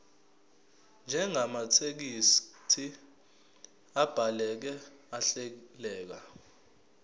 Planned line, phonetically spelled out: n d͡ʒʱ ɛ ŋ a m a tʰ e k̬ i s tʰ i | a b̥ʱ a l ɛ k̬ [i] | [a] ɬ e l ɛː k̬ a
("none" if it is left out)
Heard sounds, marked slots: ɛ, a

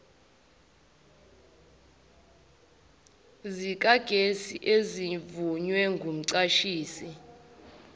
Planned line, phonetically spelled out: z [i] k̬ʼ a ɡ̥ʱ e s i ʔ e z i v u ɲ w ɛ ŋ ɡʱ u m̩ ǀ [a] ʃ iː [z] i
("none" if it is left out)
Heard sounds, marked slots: i, a, s

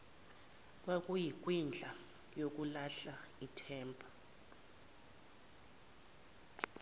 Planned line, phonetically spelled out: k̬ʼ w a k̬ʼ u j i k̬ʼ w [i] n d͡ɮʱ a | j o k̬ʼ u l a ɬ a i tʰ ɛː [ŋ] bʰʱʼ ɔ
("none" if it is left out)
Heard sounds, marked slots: i, m

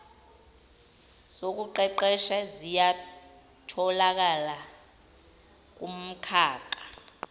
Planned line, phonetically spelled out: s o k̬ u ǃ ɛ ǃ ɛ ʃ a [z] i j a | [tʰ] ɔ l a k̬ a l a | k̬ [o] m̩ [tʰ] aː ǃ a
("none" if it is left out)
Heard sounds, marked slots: z, tʰ, u, kʰ

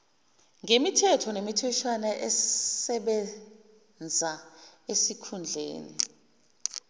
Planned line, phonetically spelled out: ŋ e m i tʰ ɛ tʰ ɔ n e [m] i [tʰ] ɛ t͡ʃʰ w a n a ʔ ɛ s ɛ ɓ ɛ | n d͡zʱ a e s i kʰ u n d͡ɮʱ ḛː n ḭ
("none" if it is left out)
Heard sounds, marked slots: m, tʰ

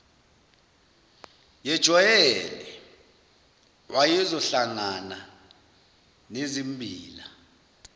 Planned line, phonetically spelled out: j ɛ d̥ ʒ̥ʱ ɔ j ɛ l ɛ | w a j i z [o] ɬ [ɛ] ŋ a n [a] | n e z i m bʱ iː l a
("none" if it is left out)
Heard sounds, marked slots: ɔ, a, a

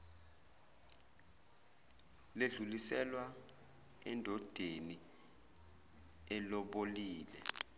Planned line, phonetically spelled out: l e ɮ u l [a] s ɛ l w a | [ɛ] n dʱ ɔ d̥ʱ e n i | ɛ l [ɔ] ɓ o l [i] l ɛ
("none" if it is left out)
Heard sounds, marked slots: i, ɛ, ɔ, iː

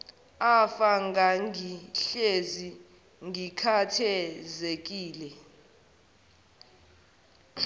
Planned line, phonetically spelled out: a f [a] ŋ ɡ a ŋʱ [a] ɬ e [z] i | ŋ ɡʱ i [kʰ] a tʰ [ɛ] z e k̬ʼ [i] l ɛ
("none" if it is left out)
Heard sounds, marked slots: a, i, z, kʰ, ɛ, iː

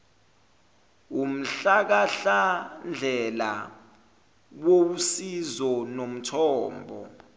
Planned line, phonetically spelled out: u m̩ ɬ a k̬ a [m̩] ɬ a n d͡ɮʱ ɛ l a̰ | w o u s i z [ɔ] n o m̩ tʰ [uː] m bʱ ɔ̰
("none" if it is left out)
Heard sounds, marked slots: none, ɔ, ɔː

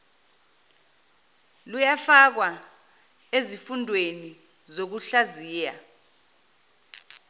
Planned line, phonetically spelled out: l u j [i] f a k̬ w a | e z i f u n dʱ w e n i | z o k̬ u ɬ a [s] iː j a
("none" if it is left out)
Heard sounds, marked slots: a, z

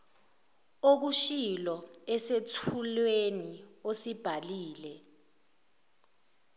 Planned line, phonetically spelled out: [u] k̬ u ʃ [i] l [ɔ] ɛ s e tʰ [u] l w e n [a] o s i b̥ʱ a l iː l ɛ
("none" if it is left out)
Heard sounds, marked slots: o, i, ɔ, u, i

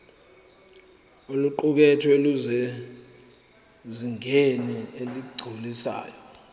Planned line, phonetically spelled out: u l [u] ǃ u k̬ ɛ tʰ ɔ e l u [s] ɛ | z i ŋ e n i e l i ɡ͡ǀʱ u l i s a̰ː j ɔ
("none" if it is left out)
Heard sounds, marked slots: u, z

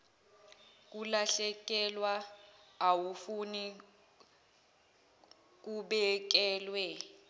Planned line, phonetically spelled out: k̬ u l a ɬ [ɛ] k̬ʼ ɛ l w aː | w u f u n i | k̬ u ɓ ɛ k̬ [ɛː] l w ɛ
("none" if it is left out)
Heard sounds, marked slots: ɛ, ɛː

